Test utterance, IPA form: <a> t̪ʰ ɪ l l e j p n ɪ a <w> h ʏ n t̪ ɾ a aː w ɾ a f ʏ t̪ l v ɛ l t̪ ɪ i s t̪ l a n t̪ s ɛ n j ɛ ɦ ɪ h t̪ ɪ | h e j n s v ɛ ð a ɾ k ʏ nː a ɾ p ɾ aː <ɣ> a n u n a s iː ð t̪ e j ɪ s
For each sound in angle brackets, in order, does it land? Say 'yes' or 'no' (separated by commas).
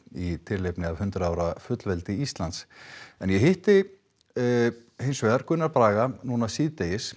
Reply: no, no, yes